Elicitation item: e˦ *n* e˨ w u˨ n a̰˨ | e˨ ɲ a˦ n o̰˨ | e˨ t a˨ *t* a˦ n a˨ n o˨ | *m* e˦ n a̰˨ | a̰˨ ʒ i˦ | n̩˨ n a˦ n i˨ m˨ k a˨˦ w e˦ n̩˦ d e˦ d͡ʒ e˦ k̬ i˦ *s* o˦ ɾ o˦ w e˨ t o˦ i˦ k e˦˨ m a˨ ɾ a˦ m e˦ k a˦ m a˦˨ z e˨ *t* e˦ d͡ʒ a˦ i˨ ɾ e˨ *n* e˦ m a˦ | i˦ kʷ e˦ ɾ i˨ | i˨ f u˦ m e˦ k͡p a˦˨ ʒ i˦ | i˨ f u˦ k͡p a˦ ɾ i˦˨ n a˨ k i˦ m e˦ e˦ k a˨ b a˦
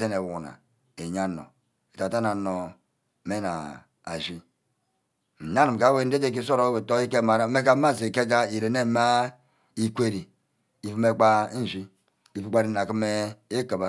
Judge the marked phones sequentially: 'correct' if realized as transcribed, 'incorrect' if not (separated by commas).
correct, correct, correct, correct, incorrect, correct